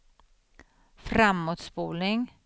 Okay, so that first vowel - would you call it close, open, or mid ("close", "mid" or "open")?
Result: open